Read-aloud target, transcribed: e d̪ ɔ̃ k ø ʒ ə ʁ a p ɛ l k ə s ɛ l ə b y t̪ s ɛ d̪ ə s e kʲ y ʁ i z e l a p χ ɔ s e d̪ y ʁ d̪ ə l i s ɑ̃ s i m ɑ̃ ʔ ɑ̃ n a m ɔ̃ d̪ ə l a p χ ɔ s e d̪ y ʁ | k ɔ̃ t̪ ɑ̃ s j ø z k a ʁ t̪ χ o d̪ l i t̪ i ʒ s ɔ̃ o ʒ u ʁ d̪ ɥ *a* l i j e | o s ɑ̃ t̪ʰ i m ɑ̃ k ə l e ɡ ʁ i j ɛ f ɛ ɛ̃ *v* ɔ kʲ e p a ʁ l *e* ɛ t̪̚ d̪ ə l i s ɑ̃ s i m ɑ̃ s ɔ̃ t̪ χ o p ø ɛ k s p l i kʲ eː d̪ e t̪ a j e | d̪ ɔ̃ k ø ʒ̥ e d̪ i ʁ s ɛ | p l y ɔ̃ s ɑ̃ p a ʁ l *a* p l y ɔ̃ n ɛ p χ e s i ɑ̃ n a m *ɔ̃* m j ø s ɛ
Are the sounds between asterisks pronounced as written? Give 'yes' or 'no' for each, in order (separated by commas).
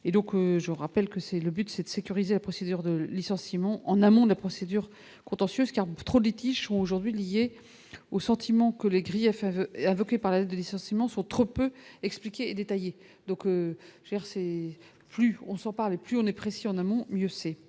no, yes, no, no, yes